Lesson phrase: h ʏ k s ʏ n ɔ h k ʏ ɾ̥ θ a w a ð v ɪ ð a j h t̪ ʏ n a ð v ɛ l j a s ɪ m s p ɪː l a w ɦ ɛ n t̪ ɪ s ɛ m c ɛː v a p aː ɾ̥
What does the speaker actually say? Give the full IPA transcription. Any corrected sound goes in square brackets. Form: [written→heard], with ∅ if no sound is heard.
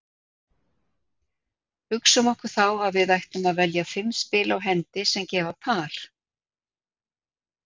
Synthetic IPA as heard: h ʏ k s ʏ [n→m] ɔ h k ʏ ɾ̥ θ a w a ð v ɪ ð a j h t̪ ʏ [n→m] a ð v ɛ l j a [s→f] ɪ m s p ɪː l a w ɦ ɛ n t̪ ɪ s ɛ m c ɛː v a [p→pʰ] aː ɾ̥